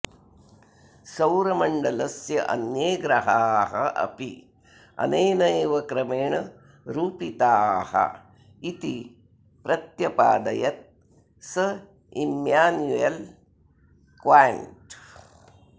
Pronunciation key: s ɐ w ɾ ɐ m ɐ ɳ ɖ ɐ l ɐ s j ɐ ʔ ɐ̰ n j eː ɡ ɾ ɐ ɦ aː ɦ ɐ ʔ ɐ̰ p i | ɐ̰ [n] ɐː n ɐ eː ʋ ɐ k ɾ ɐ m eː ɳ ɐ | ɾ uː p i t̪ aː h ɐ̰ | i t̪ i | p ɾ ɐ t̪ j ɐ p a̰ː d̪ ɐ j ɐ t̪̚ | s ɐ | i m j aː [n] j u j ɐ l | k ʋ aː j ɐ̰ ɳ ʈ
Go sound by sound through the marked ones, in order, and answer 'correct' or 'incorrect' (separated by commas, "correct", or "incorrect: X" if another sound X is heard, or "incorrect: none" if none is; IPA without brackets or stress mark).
correct, correct